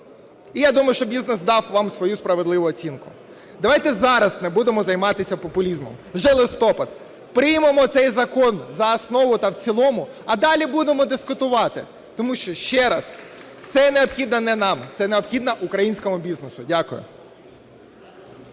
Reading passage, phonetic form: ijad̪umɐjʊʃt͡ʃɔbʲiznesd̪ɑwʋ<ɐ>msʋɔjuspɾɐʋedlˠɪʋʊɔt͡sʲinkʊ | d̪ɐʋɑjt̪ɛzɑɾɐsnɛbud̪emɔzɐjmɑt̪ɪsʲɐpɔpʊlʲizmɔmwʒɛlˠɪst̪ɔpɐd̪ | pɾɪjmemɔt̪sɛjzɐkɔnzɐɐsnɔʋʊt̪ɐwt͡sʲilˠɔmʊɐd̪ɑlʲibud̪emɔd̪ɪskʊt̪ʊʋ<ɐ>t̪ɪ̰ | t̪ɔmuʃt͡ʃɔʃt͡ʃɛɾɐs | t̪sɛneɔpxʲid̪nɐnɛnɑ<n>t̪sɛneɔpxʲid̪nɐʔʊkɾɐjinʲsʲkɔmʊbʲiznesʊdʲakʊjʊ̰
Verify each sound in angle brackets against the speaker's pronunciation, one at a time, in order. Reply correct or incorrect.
incorrect, incorrect, incorrect

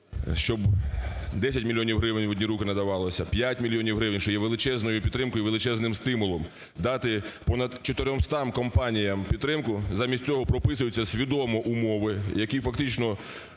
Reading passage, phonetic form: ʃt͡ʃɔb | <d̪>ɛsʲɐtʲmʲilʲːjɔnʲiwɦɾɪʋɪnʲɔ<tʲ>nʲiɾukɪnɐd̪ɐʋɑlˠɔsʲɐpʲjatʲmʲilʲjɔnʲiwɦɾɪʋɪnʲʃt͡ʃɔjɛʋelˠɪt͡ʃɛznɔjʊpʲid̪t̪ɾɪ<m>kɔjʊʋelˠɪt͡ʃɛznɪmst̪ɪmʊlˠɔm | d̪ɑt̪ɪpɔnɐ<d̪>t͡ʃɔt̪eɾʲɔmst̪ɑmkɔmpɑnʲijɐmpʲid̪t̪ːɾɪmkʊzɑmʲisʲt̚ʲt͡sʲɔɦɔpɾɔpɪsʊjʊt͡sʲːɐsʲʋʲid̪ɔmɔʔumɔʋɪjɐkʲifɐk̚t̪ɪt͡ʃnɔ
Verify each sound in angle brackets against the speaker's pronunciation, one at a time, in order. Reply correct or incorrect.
correct, incorrect, correct, correct

